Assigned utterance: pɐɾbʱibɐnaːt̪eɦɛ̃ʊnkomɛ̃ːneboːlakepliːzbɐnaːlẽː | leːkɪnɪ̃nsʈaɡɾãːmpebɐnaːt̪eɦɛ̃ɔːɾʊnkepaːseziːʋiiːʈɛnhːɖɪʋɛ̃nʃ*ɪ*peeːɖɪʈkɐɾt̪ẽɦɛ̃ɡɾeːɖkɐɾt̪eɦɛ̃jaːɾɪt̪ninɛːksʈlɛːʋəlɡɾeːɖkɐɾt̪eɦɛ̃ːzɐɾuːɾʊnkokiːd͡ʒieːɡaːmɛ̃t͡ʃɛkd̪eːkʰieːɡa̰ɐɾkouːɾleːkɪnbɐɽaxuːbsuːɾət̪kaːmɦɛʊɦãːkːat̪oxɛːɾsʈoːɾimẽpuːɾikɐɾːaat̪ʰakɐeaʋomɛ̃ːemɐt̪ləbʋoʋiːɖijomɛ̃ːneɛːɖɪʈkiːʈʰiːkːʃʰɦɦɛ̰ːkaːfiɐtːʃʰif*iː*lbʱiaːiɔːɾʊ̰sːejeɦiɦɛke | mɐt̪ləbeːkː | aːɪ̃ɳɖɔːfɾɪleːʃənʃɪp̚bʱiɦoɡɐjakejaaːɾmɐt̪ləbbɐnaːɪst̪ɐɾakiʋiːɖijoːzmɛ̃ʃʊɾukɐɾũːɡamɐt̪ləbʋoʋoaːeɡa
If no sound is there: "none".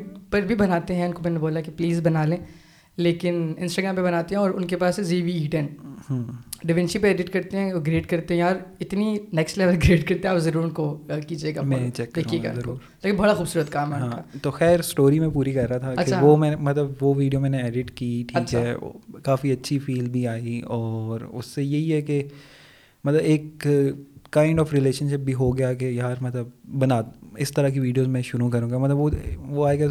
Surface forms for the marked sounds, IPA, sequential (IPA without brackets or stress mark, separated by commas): i, iː